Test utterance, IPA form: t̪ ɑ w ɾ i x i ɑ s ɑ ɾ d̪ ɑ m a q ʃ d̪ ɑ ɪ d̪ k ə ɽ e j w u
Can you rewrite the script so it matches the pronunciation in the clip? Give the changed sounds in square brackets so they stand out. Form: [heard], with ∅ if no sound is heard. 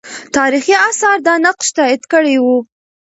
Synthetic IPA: t̪ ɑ [∅] ɾ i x i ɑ s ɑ ɾ d̪ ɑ [n] a q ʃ [t̪] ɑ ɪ d̪ k ə ɽ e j w u